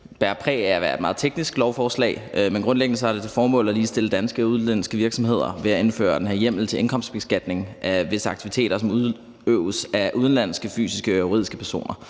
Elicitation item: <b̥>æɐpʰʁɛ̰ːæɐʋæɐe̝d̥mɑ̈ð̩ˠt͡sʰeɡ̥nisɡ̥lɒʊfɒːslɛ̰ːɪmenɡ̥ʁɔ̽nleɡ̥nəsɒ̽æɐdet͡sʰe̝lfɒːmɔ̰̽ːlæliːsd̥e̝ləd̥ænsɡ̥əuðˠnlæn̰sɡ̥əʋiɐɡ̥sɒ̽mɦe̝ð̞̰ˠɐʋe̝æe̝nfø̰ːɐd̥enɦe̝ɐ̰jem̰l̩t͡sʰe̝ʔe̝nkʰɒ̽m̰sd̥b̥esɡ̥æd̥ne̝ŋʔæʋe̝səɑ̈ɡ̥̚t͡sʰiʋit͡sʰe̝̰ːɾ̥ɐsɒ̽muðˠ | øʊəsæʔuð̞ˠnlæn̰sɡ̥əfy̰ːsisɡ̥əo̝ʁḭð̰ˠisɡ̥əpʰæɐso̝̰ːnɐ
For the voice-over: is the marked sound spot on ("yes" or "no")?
yes